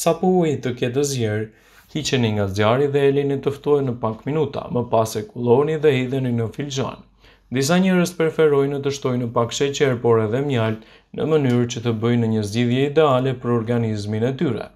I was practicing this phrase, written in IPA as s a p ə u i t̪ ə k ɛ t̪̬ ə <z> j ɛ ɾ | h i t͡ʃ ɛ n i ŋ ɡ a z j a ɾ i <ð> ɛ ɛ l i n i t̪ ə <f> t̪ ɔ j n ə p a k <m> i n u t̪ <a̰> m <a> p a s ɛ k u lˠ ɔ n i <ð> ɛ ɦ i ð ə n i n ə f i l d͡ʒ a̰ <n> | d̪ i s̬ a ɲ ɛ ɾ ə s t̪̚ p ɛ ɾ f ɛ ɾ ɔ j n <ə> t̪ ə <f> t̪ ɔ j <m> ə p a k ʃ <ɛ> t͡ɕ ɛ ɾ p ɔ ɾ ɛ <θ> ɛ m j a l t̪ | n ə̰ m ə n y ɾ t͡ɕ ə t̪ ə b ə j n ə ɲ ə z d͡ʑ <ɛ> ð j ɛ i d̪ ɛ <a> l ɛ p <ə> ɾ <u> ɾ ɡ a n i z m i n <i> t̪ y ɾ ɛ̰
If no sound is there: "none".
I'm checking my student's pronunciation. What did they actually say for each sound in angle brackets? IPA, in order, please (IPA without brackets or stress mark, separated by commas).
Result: z, ð, f, m, a̰, ə, ð, n, ə, ʃ, n, ɛ, ð, i, a, ə, ɔ, ɛ